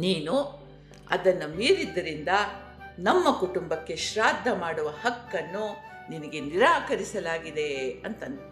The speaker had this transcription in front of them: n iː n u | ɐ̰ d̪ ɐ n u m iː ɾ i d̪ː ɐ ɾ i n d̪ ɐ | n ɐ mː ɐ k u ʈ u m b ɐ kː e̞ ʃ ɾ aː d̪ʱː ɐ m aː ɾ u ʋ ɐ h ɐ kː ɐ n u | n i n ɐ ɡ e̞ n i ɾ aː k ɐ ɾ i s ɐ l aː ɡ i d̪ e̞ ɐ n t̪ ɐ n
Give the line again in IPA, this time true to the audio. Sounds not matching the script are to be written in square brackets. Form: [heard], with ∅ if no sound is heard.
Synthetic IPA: n iː n u | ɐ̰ d̪ ɐ [nː] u m iː ɾ i d̪ː ɐ ɾ i n d̪ ɐ | n ɐ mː ɐ k u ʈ u m b ɐ kː e̞ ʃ ɾ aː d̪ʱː ɐ m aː [ɽ] u ʋ ɐ h ɐ kː ɐ [nː] u | n i n ɐ ɡ e̞ n i ɾ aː k ɐ ɾ i s ɐ l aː ɡ i d̪ e̞ ɐ n t̪ ɐ n